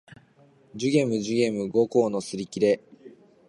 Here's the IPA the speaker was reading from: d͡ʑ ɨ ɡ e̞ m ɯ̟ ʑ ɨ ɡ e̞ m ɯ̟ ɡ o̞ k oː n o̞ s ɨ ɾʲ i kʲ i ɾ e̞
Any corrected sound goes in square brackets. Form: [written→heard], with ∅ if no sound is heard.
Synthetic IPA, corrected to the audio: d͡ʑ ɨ ɡ e̞ m ɯ̟ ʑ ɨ ɡ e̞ m ɯ̟ ɡ o̞ k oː n o̞ s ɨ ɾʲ i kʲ i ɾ e̞